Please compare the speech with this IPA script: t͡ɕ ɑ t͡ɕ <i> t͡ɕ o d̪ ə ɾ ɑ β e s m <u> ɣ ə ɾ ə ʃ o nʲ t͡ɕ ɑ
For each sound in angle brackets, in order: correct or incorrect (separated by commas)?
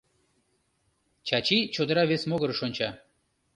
correct, incorrect